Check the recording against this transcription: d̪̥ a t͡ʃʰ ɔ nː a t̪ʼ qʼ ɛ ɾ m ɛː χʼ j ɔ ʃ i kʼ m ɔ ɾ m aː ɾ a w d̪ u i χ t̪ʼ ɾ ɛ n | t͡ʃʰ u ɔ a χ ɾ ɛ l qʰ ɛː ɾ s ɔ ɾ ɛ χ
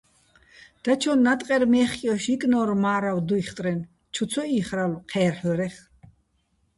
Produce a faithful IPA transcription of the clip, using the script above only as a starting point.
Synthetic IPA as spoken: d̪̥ a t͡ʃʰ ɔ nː a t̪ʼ qʼ ɛ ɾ m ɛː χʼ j ɔ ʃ i kʼ n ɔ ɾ m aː ɾ a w d̪ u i χ t̪ʼ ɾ ɛ n | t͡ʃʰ u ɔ i χ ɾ a l qʰ ɛː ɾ ħ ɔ ɾ ɛ χ